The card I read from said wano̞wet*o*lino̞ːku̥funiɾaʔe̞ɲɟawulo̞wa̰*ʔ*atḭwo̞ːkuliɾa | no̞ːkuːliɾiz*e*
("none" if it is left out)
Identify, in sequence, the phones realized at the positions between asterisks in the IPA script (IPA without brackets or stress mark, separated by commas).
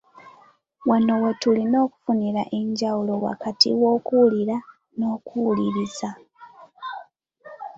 u, k, a